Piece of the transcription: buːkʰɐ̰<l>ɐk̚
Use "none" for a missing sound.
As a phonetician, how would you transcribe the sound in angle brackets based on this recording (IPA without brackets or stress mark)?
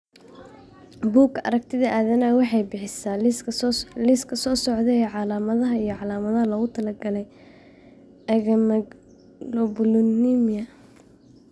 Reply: ɾ